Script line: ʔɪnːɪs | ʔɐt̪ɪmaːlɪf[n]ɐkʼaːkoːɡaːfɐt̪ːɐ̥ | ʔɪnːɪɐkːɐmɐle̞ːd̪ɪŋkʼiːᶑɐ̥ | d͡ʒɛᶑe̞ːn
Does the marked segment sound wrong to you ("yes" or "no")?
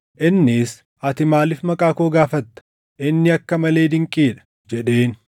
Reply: yes